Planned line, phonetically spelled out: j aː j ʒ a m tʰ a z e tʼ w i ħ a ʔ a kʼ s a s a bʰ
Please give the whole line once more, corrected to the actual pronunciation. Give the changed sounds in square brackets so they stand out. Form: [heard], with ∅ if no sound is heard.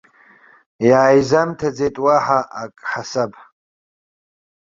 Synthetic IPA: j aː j [z] a m tʰ a [d͡z] e tʼ w [a] ħ a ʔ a kʼ [ħ] a s a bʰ